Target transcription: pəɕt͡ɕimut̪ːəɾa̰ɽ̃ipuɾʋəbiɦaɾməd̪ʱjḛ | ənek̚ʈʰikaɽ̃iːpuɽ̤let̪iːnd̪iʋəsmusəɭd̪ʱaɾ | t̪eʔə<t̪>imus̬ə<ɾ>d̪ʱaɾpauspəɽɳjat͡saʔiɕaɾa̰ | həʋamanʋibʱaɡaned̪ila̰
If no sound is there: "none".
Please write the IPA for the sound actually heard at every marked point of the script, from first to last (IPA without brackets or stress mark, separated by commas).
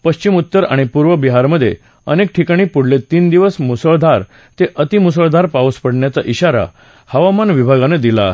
t̪, ɭ